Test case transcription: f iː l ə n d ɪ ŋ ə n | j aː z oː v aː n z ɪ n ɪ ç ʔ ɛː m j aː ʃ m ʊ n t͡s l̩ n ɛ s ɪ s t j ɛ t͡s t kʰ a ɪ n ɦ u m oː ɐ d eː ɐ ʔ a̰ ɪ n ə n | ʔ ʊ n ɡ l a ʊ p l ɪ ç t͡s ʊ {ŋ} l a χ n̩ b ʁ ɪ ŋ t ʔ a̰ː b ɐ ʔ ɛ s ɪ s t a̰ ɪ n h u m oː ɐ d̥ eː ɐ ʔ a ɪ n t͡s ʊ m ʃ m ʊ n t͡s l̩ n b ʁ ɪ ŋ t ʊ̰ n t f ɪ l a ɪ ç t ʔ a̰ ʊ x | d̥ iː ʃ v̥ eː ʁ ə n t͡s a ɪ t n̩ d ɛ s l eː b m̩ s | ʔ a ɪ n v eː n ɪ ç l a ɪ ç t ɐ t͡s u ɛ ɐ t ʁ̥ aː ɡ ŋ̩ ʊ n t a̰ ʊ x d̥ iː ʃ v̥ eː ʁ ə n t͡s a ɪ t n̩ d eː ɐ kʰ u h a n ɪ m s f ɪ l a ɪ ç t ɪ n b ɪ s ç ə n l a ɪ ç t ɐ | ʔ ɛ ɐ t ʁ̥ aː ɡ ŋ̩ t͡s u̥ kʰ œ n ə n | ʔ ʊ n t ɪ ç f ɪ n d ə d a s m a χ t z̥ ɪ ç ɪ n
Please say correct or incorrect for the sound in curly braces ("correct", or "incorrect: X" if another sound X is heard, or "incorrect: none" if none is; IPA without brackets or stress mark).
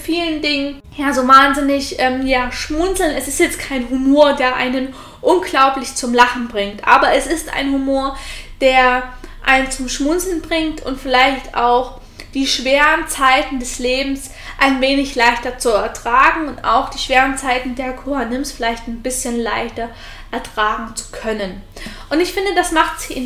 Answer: incorrect: m